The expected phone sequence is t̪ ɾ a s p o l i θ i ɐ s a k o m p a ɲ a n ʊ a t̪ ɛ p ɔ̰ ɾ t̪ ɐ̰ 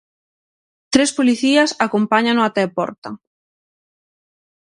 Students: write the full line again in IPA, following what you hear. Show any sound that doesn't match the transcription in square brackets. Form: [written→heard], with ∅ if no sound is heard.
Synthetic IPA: t̪ ɾ [a→e] s p o l i θ i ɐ s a k o m p a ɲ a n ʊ a t̪ ɛ p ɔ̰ ɾ t̪ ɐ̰